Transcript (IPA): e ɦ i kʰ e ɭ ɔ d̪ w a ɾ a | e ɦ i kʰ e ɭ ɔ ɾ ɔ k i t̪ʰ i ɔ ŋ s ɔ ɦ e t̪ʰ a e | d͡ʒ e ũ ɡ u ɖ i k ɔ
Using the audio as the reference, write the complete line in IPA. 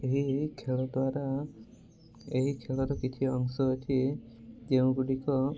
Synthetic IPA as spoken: e ɦ i kʰ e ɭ ɔ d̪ w a ɾ a | e ɦ i kʰ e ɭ ɔ ɾ ɔ k i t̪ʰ i ɔ ŋ s ɔ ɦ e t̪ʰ i e | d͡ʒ e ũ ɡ u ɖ i k ɔ